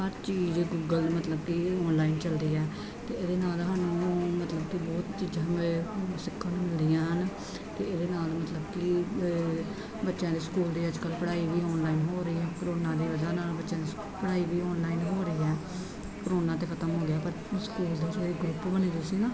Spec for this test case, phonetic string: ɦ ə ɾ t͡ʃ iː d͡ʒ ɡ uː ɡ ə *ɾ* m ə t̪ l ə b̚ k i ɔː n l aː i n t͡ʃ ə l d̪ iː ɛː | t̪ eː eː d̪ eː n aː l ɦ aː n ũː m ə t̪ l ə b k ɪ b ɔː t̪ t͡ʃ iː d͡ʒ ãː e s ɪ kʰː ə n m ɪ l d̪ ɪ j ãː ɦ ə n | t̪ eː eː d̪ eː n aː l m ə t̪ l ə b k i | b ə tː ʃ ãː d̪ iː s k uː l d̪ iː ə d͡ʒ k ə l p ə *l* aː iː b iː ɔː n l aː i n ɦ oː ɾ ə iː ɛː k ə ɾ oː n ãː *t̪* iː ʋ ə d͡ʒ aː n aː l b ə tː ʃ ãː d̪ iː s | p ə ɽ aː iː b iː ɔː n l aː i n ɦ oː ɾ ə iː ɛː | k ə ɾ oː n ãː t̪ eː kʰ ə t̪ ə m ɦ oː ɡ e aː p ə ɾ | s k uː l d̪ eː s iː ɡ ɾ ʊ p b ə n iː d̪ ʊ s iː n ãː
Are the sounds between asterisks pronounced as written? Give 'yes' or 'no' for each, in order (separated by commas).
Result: no, no, no